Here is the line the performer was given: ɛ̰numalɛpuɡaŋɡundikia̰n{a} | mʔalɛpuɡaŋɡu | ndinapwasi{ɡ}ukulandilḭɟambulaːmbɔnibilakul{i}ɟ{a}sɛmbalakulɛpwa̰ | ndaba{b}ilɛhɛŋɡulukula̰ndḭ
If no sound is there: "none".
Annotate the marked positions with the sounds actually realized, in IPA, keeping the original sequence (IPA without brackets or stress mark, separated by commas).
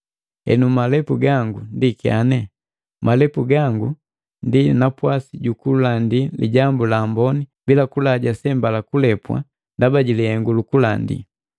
ɛ, ɟ, a, a, ɟ